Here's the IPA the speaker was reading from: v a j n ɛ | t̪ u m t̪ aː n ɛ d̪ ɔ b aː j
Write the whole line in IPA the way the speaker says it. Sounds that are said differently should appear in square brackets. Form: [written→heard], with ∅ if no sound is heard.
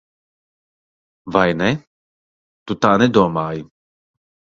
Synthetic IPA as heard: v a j n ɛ | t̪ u [m→∅] t̪ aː n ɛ d̪ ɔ [b→m] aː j

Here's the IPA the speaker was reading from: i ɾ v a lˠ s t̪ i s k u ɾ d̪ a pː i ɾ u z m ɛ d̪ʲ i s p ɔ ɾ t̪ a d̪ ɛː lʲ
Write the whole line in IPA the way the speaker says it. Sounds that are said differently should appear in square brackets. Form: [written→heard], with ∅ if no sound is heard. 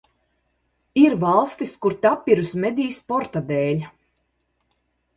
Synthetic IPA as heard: i ɾ v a lˠ s t̪ i s k u ɾ [d̪→t̪] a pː i ɾ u [z→s] m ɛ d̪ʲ [i→iː] s p ɔ ɾ t̪ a d̪ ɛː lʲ

